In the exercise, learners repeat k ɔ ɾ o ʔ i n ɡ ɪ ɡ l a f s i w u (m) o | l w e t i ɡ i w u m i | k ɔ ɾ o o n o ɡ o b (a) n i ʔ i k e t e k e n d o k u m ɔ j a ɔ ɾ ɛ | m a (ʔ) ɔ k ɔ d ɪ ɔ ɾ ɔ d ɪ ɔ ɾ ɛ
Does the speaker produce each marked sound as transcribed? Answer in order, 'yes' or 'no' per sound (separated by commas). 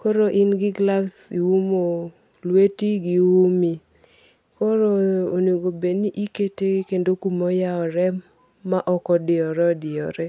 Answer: yes, no, yes